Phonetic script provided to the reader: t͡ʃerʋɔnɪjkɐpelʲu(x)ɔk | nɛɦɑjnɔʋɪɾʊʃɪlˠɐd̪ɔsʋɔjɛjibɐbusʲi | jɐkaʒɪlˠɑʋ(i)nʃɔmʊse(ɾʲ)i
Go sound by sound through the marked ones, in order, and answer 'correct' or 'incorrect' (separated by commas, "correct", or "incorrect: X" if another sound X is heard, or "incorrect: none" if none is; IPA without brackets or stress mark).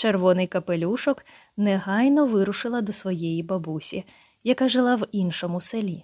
incorrect: ʃ, correct, incorrect: lʲ